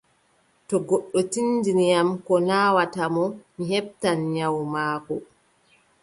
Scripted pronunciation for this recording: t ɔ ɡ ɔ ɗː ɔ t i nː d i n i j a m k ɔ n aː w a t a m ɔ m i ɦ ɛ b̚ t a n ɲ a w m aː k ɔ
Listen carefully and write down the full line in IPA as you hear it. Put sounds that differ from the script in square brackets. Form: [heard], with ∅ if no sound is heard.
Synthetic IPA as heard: t ɔ ɡ ɔ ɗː ɔ t i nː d i n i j a m k ɔ n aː w a t a m ɔ m i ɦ ɛ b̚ t a n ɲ a w m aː k ɔ